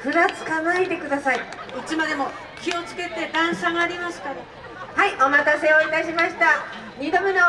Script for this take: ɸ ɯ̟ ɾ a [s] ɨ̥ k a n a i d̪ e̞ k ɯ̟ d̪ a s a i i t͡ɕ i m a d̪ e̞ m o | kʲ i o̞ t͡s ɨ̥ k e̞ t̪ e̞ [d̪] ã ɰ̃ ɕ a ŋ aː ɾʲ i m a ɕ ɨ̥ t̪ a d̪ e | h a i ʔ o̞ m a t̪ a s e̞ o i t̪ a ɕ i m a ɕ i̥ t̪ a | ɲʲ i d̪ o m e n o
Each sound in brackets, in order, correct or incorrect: incorrect: t͡s, correct

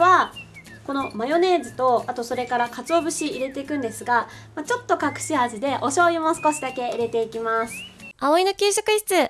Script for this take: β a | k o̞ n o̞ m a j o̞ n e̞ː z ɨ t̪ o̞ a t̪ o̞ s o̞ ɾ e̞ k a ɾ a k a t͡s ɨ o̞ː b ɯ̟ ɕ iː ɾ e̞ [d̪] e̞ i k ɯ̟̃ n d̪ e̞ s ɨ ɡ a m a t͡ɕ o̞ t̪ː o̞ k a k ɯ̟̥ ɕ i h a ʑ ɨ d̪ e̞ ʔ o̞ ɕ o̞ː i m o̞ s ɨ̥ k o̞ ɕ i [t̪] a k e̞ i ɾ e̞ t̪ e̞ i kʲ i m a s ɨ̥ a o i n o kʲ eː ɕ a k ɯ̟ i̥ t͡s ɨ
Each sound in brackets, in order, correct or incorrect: incorrect: t̪, incorrect: d̪

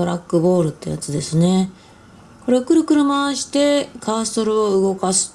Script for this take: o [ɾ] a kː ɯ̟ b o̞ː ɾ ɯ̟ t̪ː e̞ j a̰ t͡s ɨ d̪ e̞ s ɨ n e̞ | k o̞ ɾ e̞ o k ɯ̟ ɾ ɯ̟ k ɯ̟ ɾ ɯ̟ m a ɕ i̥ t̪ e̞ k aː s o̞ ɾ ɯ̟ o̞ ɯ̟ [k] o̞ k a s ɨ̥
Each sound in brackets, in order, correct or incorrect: correct, incorrect: ɡ

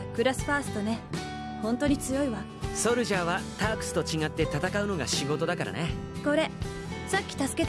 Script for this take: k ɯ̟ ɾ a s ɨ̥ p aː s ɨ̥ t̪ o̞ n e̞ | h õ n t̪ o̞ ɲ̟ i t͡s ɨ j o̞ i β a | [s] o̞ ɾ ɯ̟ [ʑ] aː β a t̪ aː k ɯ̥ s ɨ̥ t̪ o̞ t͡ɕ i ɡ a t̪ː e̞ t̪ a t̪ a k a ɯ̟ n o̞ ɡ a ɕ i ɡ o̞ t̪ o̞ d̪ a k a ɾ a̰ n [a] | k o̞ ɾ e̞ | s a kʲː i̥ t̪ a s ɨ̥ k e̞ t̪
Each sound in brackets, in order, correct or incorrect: correct, correct, incorrect: e

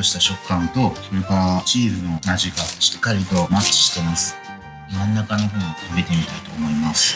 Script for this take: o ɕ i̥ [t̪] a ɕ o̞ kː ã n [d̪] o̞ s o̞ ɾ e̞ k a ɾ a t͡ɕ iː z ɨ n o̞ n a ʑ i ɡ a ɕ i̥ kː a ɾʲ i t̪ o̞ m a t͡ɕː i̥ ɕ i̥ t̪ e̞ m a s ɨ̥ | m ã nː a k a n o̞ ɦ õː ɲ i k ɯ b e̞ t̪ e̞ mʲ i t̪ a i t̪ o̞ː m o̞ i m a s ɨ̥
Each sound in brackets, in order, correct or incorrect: correct, incorrect: t̪

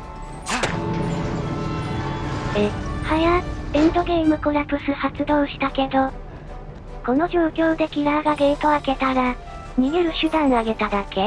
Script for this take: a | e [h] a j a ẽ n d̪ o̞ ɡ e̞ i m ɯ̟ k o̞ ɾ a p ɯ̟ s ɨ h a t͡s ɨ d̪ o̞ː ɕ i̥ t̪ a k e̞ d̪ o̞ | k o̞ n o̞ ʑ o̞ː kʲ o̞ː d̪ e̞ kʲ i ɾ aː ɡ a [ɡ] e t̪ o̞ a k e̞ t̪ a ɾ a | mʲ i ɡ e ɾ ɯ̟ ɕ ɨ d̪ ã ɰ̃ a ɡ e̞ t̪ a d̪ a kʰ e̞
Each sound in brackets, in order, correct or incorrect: correct, correct

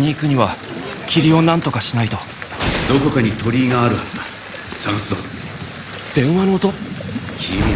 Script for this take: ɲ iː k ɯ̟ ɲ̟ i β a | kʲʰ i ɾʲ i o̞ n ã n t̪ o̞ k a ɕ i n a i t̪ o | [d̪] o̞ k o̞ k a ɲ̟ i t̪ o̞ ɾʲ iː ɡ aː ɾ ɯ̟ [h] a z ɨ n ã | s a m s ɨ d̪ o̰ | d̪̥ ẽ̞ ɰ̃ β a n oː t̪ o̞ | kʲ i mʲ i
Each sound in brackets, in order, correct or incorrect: correct, correct

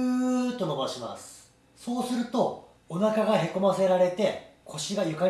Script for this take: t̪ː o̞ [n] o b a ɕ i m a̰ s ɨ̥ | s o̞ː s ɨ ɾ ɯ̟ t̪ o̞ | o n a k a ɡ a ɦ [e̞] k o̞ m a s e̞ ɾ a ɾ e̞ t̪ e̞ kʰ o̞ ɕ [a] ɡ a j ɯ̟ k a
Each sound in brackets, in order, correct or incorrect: correct, correct, incorrect: i

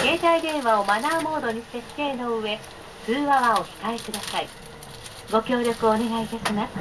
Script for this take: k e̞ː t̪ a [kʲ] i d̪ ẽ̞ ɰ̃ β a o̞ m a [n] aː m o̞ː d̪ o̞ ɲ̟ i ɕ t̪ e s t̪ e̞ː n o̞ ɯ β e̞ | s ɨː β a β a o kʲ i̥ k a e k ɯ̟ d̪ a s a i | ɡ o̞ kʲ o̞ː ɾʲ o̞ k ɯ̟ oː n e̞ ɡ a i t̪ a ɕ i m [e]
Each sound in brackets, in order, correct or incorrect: incorrect: none, correct, incorrect: a

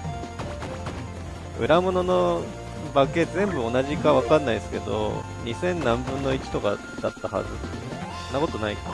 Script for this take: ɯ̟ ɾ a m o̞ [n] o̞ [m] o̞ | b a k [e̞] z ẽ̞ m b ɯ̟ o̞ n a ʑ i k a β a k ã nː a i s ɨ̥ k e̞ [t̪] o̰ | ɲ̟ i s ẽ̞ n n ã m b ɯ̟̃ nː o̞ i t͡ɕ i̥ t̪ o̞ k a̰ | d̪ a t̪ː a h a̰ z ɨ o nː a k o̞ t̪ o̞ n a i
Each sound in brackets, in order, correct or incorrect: correct, incorrect: n, correct, incorrect: d̪

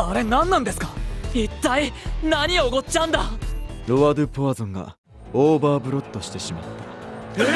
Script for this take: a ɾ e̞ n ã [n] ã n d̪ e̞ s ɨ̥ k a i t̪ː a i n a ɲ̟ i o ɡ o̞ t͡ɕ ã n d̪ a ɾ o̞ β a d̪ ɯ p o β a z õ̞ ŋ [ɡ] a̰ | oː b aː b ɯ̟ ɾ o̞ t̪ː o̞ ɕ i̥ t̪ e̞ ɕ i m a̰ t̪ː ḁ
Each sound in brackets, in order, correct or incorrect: incorrect: nː, correct

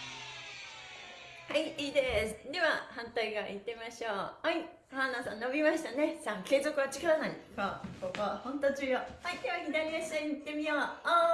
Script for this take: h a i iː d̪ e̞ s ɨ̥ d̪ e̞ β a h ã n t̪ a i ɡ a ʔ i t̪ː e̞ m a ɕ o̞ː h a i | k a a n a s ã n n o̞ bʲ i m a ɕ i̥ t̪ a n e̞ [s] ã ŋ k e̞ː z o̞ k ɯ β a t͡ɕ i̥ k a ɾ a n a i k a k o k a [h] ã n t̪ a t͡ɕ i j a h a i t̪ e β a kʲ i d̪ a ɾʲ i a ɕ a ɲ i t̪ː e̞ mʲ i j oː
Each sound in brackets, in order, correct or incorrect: correct, correct

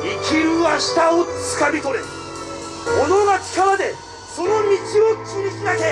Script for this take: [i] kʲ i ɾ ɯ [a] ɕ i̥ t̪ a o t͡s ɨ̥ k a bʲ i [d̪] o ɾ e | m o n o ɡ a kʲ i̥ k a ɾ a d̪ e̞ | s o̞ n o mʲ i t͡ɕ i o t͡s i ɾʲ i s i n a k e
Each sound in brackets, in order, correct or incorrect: correct, correct, incorrect: t̪

